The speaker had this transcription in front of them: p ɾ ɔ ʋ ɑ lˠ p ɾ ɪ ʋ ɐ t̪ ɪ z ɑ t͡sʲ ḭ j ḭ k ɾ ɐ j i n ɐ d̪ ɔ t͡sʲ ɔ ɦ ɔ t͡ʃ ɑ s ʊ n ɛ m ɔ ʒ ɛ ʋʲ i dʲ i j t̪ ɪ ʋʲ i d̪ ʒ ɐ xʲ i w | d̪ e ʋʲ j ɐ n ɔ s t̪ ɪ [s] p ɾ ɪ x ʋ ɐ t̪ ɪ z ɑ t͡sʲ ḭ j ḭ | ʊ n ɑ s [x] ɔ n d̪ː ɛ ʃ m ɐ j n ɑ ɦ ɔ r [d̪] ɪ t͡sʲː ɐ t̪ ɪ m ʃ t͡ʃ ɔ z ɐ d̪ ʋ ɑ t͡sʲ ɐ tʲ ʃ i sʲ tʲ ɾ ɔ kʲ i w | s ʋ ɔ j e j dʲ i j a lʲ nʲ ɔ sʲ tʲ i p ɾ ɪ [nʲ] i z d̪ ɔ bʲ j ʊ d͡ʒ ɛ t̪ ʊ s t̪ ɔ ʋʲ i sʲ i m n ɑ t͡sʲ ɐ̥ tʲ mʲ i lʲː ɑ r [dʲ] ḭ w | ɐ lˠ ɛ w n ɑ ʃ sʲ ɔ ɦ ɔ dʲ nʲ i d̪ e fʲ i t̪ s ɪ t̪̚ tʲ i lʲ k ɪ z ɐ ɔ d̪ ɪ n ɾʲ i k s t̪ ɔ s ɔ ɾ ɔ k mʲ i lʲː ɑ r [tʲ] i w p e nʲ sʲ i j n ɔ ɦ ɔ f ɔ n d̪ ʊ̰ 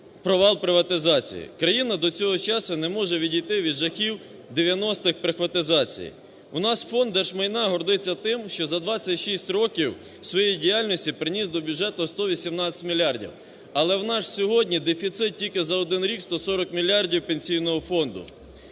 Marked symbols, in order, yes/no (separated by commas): no, no, yes, yes, yes, no